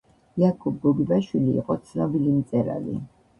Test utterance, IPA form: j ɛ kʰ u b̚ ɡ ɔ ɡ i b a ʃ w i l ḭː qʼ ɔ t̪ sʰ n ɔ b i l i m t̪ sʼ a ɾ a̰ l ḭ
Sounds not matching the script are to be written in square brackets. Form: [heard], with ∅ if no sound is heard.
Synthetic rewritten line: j [a] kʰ u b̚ ɡ ɔ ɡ i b a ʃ w i l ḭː qʼ ɔ t̪ sʰ n ɔ b i l i m t̪ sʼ [ɛ] ɾ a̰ l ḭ